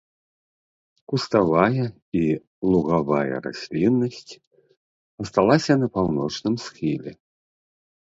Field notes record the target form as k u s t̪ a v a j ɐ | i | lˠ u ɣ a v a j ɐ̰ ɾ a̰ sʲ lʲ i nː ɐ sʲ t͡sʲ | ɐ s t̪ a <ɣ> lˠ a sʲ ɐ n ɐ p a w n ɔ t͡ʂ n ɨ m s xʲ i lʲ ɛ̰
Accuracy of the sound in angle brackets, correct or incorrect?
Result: incorrect